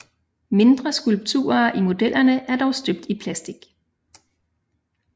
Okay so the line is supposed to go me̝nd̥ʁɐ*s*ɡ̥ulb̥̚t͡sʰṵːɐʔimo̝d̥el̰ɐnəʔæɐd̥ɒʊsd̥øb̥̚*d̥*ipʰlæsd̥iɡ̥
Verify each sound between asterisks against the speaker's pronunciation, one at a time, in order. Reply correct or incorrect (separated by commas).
correct, correct